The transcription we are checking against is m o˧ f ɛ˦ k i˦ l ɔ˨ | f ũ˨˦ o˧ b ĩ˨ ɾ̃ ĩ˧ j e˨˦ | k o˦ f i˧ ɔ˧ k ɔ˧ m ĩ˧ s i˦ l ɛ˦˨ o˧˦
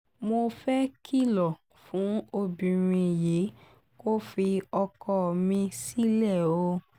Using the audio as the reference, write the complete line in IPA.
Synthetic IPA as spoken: m o˧ f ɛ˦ k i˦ l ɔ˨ | f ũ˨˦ o˧ b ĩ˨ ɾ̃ ĩ˧ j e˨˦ | k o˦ f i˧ ɔ˧ k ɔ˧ m ĩ˧ s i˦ l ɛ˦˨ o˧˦